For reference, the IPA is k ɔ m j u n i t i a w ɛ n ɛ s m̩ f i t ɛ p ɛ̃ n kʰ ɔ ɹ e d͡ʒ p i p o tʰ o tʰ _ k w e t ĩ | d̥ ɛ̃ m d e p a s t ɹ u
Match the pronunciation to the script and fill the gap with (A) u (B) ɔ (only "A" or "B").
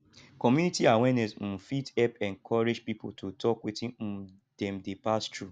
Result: B